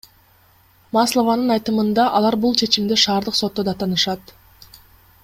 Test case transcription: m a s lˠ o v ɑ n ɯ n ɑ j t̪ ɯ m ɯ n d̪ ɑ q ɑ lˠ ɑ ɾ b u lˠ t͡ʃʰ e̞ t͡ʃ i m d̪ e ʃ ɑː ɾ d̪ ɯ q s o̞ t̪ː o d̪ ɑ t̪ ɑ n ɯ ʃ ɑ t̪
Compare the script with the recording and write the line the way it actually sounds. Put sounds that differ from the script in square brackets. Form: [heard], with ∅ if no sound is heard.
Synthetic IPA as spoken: m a s lˠ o v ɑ n ɯ n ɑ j t̪ ɯ m ɯ n d̪ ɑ [ʔ] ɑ lˠ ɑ ɾ b u lˠ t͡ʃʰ e̞ t͡ʃ i m d̪ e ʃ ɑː ɾ d̪ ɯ q s o̞ t̪ː o d̪ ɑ t̪ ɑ n ɯ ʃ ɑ t̪